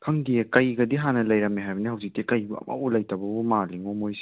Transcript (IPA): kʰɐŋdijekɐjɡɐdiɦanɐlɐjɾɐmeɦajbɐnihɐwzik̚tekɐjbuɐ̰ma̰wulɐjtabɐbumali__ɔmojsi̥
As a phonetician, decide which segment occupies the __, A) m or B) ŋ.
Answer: B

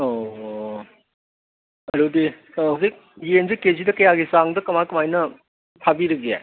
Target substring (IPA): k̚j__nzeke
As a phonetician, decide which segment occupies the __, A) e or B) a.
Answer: A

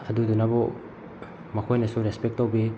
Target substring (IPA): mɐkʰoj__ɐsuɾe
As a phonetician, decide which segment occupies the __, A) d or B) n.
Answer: B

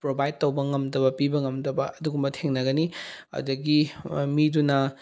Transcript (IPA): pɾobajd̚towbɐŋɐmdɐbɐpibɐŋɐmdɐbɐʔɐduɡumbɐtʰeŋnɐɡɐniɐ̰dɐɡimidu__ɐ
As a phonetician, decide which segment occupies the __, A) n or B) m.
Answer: A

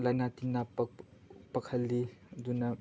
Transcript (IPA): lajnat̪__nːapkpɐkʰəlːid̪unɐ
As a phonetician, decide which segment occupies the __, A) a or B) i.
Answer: B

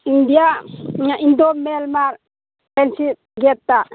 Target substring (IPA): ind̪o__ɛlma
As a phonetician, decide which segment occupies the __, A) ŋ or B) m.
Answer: B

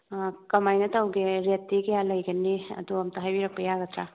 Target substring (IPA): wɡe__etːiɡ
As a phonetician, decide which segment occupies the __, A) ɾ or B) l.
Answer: A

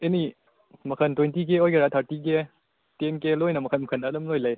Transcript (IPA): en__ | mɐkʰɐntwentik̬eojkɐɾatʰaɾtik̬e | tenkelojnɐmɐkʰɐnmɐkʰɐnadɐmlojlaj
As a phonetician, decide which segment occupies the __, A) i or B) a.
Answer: A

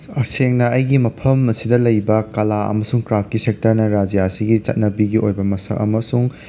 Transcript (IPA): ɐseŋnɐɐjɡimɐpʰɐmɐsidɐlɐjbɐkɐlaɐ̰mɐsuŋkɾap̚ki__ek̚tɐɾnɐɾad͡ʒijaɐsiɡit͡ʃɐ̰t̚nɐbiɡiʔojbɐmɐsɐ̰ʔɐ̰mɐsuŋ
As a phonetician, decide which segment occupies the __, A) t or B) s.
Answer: B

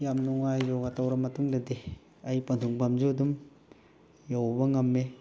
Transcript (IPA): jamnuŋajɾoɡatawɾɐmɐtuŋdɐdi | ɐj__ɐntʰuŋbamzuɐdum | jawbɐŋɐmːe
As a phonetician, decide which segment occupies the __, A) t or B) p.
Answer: B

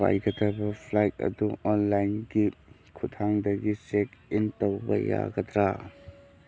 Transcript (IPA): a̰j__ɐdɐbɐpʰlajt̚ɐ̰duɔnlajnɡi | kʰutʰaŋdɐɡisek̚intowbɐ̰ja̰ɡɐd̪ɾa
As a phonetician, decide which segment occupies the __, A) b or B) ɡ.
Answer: B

